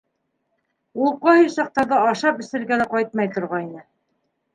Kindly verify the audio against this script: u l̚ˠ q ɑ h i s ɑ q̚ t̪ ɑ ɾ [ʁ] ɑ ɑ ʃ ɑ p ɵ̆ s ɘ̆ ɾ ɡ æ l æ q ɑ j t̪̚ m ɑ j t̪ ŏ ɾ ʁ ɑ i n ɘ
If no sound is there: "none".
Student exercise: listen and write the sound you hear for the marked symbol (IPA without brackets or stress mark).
ð